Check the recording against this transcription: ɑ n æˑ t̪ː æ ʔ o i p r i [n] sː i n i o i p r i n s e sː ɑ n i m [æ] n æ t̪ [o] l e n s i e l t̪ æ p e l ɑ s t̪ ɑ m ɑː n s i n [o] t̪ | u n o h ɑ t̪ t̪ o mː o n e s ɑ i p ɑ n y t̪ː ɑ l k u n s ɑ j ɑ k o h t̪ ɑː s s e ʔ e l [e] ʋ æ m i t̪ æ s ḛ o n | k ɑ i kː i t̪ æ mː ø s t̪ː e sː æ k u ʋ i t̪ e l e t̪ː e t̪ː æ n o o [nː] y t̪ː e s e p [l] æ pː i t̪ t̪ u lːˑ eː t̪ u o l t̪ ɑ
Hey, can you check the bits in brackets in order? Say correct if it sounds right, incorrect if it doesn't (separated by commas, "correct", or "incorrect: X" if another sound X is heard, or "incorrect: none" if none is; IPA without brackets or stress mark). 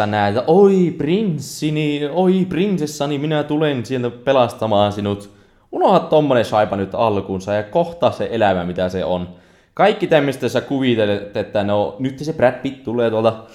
correct, incorrect: i, incorrect: u, incorrect: u, incorrect: æ, incorrect: n, incorrect: r